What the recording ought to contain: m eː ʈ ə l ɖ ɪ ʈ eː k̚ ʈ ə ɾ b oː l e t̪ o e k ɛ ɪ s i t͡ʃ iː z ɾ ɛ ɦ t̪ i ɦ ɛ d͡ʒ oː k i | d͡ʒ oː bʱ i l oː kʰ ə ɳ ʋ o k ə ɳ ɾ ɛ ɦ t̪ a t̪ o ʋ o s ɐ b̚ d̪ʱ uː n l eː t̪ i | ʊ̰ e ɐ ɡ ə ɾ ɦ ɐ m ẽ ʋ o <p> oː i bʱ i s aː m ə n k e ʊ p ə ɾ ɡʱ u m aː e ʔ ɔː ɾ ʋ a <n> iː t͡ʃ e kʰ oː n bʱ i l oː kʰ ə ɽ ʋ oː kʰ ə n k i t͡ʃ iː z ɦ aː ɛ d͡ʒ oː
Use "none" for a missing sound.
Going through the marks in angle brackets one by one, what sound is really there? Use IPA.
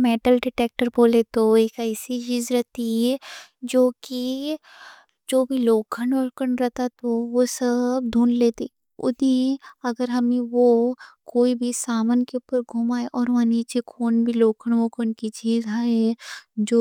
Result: k, n

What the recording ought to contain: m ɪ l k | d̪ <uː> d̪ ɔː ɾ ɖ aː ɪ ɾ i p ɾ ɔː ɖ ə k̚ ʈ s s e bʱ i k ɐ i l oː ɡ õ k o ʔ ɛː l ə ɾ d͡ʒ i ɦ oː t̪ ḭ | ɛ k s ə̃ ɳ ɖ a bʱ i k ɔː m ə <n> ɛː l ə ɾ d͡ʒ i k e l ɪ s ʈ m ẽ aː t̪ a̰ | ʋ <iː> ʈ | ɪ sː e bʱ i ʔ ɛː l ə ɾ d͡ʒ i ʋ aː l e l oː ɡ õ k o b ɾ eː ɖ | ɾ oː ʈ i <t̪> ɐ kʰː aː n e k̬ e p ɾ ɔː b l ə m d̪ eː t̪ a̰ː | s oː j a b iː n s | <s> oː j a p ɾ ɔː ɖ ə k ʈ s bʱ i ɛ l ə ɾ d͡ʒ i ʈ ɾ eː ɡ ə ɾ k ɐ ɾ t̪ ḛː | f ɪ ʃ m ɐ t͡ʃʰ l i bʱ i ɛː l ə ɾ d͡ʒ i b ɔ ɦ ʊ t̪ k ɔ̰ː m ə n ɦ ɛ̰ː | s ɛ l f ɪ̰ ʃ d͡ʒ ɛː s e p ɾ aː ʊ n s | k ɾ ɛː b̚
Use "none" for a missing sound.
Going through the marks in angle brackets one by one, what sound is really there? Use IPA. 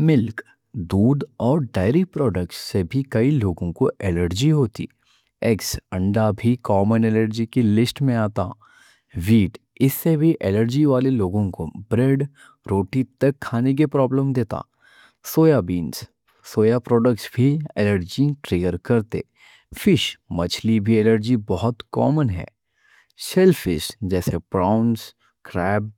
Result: uː, n, iː, t̪, s

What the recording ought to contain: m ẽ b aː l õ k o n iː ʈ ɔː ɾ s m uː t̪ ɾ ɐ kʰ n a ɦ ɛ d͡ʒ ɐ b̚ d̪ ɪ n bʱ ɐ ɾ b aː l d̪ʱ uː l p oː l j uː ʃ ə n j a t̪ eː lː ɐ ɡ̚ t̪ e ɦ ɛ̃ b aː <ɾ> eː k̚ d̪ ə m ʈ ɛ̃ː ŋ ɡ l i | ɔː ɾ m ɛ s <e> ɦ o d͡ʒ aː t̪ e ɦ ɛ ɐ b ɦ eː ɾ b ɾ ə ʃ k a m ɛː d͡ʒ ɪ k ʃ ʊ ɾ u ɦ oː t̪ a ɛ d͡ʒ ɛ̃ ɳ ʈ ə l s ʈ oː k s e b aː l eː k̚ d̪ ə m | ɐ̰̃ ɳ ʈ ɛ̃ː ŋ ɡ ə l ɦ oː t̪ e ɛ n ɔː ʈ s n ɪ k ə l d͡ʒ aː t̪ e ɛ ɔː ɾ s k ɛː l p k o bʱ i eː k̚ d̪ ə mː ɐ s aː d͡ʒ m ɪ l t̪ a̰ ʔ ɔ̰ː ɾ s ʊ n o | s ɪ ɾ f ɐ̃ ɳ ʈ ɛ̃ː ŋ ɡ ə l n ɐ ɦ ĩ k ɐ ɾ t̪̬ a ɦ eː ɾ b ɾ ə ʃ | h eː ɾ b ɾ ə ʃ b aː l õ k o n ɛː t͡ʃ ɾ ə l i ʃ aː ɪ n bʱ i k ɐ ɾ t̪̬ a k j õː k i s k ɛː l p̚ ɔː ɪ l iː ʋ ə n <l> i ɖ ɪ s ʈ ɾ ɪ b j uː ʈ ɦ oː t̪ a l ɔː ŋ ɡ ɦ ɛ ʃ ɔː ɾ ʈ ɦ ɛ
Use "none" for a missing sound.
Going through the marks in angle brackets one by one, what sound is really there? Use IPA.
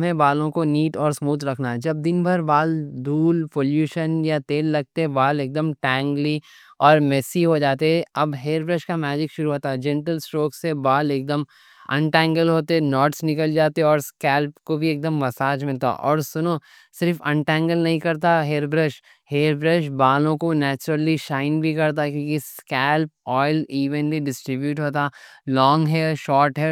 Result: l, i, l

